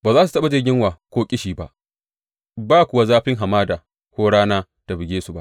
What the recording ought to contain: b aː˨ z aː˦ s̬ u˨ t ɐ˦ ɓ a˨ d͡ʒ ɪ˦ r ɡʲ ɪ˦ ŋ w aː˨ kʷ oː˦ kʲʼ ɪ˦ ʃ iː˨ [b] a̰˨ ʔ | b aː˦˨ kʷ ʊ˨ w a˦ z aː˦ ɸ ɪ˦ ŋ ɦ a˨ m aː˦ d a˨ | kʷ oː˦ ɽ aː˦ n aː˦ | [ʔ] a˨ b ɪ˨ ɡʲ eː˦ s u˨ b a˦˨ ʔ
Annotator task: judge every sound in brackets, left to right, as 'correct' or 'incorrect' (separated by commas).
correct, incorrect